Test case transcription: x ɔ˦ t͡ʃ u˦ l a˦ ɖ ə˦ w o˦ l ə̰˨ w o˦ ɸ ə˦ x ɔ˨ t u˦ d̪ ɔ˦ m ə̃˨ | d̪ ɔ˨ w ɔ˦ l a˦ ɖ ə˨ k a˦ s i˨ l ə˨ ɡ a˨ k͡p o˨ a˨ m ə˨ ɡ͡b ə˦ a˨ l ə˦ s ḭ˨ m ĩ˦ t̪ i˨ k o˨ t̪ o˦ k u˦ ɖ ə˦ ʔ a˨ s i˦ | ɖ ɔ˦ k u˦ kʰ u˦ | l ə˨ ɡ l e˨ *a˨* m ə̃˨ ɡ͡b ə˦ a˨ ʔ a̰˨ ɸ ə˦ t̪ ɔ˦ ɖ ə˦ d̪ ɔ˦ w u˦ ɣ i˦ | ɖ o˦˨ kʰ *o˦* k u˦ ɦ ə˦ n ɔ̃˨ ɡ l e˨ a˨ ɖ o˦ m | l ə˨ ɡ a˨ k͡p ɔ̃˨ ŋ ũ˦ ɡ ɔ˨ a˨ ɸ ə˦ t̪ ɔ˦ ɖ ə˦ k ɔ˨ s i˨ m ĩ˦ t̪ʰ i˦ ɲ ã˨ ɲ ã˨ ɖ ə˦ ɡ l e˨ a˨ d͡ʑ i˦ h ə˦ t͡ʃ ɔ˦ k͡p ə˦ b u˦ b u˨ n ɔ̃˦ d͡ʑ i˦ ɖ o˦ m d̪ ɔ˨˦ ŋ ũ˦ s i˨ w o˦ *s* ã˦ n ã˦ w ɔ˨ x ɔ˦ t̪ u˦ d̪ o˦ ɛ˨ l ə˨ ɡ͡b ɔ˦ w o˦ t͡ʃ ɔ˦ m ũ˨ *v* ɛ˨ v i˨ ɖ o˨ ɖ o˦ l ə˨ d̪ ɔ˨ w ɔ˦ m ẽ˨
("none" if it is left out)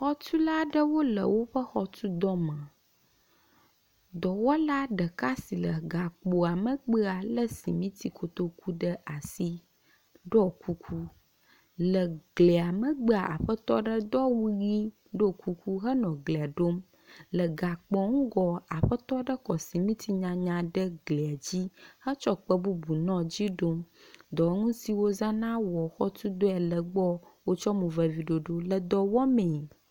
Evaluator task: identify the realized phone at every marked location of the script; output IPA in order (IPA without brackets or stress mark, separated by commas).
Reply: a˨, u˦, z, v